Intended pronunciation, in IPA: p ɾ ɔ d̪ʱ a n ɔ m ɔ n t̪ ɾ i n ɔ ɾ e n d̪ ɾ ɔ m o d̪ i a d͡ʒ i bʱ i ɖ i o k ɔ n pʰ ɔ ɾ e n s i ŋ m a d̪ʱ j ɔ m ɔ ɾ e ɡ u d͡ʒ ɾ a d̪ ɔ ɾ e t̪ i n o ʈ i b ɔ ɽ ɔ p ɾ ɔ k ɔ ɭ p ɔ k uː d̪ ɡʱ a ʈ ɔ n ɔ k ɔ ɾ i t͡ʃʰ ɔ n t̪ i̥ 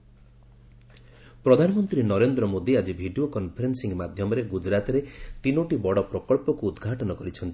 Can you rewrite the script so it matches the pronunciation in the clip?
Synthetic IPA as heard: p ɾ ɔ d̪ʱ a n ɔ m ɔ n t̪ ɾ i n ɔ ɾ e n d̪ ɾ ɔ m o d̪ i a d͡ʒ i bʱ i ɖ i o k ɔ n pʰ ɔ ɾ e n s i ŋ m a d̪ʱ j ɔ m ɔ ɾ e ɡ u d͡ʒ ɾ a t̪ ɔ ɾ e t̪ i n o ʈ i b ɔ ɽ ɔ p ɾ ɔ k ɔ ɭ p ɔ k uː d̪ ɡʱ a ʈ ɔ n ɔ k ɔ ɾ i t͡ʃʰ ɔ n t̪ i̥